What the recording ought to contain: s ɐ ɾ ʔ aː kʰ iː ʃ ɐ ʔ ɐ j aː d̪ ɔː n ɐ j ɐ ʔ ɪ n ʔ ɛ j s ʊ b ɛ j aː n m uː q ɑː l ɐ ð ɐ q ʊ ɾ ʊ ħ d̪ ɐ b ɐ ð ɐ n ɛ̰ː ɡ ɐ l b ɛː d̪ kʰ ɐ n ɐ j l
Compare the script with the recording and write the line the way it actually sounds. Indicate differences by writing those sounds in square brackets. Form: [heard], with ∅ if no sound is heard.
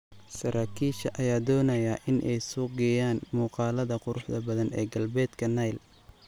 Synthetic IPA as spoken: s ɐ ɾ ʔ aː kʰ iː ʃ ɐ ʔ ɐ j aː d̪ ɔː n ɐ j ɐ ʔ ɪ n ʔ ɛ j s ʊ [ɡ] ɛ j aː n m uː q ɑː l ɐ ð ɐ q ʊ ɾ ʊ ħ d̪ ɐ b ɐ ð ɐ n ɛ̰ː ɡ ɐ l b ɛː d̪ kʰ ɐ n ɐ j l